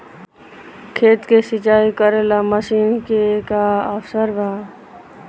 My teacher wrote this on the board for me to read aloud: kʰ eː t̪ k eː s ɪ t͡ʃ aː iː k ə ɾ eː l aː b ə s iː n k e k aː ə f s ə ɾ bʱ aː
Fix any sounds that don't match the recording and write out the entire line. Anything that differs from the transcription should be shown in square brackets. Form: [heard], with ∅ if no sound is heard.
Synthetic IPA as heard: kʰ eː t̪ k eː s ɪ t͡ʃ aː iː k ə ɾ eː l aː [m] ə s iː n k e k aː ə f s ə ɾ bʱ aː